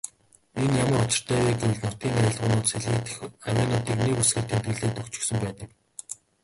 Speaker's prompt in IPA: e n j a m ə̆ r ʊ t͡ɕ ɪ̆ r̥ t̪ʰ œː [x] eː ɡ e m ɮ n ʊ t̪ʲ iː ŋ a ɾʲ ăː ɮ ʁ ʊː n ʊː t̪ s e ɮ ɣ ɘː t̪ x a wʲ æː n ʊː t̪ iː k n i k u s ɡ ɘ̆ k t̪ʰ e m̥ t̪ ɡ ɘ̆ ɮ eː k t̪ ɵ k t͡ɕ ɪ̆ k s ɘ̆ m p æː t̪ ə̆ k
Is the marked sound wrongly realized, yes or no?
yes